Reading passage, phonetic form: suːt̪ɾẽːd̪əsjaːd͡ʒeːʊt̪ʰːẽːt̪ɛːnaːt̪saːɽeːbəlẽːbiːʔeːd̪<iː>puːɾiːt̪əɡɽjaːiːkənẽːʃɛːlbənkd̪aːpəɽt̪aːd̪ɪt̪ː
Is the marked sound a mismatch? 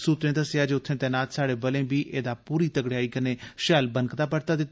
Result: yes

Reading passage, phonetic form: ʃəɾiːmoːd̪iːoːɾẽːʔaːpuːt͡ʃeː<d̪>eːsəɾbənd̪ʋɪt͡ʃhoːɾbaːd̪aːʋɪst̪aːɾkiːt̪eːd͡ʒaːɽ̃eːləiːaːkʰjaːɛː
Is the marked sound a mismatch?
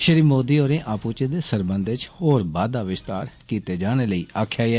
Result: no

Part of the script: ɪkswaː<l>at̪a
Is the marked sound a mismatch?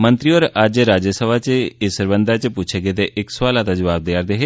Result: no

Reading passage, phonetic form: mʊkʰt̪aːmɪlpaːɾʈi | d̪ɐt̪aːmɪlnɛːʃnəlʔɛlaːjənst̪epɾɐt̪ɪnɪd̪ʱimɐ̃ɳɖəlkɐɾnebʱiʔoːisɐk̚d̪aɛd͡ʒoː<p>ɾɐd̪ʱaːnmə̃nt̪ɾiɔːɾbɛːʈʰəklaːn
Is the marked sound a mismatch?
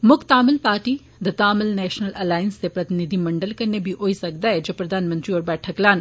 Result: no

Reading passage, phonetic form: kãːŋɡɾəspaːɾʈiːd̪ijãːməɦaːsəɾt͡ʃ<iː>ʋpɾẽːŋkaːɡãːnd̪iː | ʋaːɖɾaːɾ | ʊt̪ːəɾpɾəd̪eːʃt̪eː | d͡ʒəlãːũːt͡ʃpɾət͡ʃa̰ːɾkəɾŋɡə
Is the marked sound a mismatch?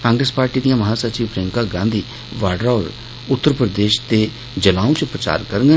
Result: no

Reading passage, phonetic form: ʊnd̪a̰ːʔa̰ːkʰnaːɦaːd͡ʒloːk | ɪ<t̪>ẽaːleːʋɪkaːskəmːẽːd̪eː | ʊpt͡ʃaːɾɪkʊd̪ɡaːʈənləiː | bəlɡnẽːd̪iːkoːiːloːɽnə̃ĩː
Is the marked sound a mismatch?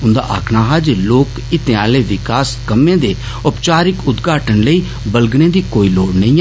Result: no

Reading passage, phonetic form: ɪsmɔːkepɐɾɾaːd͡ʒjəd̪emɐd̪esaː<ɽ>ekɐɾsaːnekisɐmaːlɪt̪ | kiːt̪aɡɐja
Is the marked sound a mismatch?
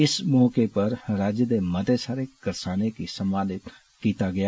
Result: yes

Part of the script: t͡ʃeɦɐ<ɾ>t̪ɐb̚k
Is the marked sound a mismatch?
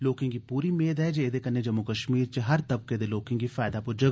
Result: no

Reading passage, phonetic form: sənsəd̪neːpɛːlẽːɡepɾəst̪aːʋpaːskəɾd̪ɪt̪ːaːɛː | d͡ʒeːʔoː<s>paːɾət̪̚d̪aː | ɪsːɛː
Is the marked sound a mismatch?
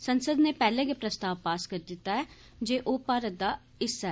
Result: yes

